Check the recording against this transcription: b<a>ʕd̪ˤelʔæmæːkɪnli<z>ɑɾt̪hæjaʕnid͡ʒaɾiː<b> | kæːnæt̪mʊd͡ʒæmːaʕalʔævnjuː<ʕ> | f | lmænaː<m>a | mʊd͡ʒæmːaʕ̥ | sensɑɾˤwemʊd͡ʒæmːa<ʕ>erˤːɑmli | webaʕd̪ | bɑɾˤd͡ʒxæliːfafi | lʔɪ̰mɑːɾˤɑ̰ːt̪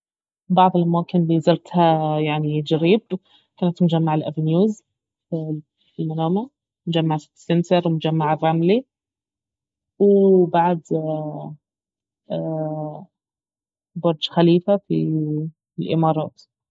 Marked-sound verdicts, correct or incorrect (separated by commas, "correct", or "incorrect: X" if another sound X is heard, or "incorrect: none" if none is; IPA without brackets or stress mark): incorrect: ɑ, correct, correct, incorrect: z, correct, correct